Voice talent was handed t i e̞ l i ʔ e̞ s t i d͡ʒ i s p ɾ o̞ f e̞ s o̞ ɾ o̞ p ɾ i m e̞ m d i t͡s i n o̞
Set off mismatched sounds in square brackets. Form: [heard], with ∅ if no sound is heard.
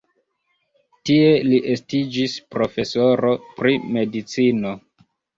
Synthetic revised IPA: t i e̞ l i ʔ e̞ s t i d͡ʒ i s p ɾ o̞ f e̞ s o̞ ɾ o̞ p ɾ i m e̞ [∅] d i t͡s i n o̞